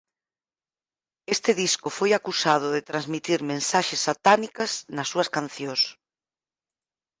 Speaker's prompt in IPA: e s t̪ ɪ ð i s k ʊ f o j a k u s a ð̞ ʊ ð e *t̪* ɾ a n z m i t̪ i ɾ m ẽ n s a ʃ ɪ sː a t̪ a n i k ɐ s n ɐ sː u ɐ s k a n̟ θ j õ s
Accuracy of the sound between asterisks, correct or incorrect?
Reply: correct